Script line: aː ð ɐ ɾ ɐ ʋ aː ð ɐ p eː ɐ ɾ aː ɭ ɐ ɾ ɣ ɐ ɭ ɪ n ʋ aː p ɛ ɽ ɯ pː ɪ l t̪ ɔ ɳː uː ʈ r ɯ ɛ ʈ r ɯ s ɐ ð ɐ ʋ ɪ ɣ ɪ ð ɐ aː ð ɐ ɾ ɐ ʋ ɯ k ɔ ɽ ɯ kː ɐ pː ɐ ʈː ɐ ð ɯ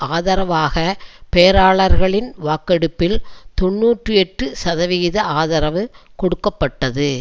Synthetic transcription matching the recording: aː ð ɐ ɾ ɐ ʋ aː ɣ ɐ p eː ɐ ɾ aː ɭ ɐ ɾ ɣ ɐ ɭ ɪ n ʋ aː k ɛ ɽ ɯ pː ɪ l t̪ ɔ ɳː uː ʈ r ɯ ɛ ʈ r ɯ s ɐ ð ɐ ʋ ɪ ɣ ɪ ð ɐ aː ð ɐ ɾ ɐ ʋ ɯ k ɔ ɽ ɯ kː ɐ pː ɐ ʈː ɐ ð ɯ